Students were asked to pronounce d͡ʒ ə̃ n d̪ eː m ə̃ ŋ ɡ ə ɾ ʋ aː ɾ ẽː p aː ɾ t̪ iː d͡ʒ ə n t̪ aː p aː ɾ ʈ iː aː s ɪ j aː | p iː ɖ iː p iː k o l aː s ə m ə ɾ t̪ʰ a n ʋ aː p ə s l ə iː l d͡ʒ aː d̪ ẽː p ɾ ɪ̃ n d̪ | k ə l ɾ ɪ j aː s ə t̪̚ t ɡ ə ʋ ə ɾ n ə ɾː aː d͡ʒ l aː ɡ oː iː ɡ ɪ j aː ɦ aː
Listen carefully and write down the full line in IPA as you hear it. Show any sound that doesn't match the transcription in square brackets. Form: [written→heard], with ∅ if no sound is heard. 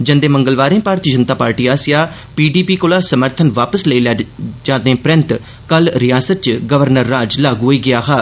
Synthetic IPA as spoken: d͡ʒ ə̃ n d̪ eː m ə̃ ŋ ɡ ə [ɾ→l] ʋ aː ɾ ẽː p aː ɾ t̪ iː d͡ʒ ə n t̪ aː p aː ɾ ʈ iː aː s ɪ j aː | p iː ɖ iː p iː k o l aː s ə m ə ɾ t̪ʰ [a→ə] n ʋ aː p ə s l ə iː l d͡ʒ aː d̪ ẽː p ɾ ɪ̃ n [d̪→t̪] | k ə l ɾ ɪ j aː s ə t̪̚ [t→t͡ʃ] ɡ ə ʋ ə ɾ n ə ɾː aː d͡ʒ l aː ɡ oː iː ɡ ɪ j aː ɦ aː

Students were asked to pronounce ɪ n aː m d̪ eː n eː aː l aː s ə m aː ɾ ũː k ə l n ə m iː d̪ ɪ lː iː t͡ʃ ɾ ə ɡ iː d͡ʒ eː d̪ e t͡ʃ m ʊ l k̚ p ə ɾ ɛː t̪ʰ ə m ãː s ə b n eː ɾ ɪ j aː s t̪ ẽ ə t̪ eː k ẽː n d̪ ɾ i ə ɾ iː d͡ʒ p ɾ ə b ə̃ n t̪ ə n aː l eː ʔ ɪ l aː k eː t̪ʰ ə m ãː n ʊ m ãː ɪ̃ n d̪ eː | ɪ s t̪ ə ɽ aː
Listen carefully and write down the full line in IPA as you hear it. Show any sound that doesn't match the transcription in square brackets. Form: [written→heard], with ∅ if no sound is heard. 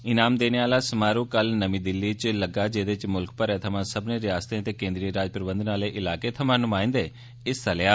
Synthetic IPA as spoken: ɪ n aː m d̪ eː n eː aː l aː s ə m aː ɾ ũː k ə l n ə m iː d̪ ɪ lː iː t͡ʃ [ɾ→l] ə ɡ [iː→aː] d͡ʒ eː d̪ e t͡ʃ m ʊ l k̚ p ə ɾ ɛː t̪ʰ ə m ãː s ə b n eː ɾ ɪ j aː s t̪ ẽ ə t̪ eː k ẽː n d̪ ɾ i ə ɾ [iː→aː] d͡ʒ p ɾ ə b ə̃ n [t̪→d̪] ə n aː l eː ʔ ɪ l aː k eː t̪ʰ ə m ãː n ʊ m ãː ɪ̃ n d̪ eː | ɪ s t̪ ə [ɽ→l] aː

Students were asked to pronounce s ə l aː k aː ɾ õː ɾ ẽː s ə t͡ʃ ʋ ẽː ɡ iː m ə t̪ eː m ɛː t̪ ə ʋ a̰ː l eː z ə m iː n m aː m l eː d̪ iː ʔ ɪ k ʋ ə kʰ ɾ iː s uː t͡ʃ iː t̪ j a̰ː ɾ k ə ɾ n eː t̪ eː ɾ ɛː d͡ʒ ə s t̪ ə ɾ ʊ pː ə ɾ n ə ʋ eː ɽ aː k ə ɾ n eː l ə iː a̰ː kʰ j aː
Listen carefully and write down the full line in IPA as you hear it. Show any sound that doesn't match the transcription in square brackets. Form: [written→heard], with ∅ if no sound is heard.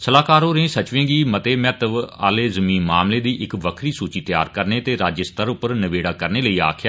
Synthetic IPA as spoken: s ə l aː k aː ɾ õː ɾ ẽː s ə t͡ʃ ʋ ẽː ɡ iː m ə t̪ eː m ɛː t̪ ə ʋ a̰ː l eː z ə m iː n m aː m l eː d̪ iː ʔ ɪ k ʋ ə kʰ ɾ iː s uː t͡ʃ iː t̪ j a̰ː ɾ k ə ɾ n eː t̪ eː ɾ [ɛː→aː] d͡ʒ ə s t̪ ə ɾ ʊ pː ə ɾ n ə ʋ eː ɽ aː k ə ɾ n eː l ə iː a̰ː kʰ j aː

